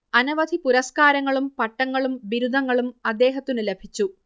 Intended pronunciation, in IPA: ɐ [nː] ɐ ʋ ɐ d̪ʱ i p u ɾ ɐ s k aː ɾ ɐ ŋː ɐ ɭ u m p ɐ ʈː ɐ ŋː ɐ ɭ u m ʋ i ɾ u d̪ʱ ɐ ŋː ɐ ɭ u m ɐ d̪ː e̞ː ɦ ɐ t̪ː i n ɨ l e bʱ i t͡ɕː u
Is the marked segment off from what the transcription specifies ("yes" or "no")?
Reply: yes